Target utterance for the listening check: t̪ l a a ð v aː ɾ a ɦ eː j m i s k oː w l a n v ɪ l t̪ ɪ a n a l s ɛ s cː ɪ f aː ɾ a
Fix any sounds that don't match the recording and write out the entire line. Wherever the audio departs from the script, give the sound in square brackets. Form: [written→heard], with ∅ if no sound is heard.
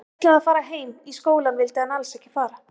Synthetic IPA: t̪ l a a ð [v→f] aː ɾ a ɦ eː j m i s k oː w l a n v ɪ l t̪ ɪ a n a l s ɛ [s→h] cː ɪ f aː ɾ a